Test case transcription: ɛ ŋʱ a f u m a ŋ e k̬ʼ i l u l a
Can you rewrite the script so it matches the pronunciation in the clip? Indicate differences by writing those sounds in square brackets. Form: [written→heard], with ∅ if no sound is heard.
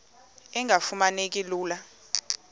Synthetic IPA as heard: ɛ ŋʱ a f u m a [ŋ→n] e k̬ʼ i l [u→uː] l a